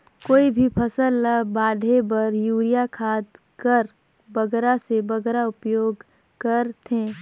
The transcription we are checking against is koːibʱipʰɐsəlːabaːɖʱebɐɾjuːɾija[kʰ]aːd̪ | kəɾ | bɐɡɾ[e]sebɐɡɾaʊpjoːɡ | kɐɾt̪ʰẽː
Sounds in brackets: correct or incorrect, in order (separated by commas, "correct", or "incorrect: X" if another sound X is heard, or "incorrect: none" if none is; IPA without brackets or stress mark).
correct, incorrect: a